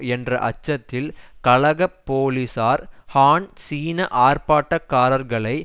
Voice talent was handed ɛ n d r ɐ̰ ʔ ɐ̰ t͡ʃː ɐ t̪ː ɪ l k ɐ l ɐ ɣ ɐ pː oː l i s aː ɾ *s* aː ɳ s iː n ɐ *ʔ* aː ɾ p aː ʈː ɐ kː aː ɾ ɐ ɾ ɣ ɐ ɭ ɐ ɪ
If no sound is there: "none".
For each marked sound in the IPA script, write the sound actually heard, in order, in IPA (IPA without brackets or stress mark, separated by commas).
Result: h, ʔ